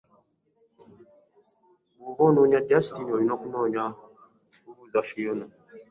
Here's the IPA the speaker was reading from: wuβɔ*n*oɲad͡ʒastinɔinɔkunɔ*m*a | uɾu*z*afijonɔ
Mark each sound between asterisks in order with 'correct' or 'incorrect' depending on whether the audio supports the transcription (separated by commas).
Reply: correct, incorrect, correct